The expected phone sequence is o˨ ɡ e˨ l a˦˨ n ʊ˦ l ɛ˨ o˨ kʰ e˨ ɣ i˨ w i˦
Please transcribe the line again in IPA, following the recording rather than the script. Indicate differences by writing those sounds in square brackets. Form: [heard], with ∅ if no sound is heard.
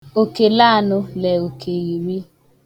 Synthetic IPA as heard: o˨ [k] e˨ l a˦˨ n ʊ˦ l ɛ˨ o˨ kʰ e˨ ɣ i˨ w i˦